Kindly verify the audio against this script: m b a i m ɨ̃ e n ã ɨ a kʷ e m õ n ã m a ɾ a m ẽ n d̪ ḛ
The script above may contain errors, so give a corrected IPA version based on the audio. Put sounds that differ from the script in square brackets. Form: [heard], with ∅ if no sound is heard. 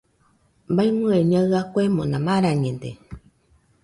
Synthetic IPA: m b a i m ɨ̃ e [ɲ] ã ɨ a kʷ e m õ n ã m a ɾ a [ɲ] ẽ n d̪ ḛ